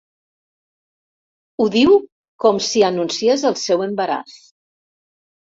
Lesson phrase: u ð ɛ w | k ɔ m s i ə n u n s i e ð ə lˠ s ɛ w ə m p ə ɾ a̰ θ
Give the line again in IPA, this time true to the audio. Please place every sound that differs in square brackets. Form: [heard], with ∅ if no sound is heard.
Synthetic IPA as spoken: u ð [i] w | k ɔ m s i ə n u n s i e [z] ə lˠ s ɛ w ə m [b] ə ɾ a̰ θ